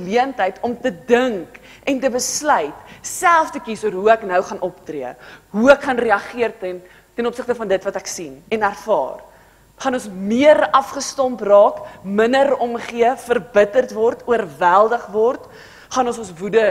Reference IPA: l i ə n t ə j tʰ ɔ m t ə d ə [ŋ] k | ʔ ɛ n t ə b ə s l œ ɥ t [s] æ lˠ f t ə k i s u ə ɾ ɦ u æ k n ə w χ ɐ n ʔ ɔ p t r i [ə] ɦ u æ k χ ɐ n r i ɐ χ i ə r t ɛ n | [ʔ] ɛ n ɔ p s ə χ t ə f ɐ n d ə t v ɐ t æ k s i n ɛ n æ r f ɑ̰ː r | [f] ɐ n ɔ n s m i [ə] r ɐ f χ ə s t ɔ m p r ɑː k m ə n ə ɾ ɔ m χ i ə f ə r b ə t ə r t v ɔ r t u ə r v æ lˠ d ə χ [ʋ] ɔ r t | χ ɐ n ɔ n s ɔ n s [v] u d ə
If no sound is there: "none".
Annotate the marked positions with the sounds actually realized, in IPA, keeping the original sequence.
ŋ, s, ə, t, χ, ə, v, v

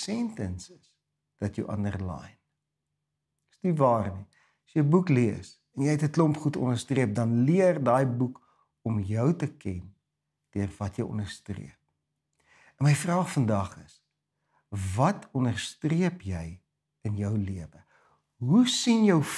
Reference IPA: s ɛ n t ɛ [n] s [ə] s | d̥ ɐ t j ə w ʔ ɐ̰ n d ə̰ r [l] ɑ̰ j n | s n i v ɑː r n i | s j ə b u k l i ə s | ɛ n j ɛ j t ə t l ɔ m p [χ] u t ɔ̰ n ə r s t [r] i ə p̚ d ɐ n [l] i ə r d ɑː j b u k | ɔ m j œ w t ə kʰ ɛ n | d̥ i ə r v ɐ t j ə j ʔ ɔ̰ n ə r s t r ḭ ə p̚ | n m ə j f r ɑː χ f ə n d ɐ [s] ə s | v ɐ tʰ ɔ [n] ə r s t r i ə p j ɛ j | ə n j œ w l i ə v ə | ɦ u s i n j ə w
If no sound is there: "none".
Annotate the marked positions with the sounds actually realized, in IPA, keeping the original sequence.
n, ə, l, χ, r, l, χ, n

